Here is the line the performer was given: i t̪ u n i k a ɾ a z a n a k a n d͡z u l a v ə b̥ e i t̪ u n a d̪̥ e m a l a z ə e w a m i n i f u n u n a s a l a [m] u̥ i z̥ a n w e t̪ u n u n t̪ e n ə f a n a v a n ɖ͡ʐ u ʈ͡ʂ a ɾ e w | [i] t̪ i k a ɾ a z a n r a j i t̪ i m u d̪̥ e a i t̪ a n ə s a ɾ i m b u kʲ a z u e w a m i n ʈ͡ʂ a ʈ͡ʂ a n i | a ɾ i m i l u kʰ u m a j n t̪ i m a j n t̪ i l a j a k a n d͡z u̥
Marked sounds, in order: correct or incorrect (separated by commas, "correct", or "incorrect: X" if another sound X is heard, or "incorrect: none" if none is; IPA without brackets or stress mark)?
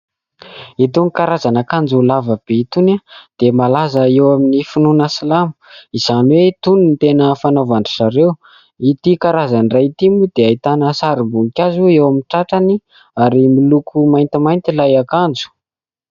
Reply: correct, correct